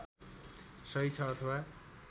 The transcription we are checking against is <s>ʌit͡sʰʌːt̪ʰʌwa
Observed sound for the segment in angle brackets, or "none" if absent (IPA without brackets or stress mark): s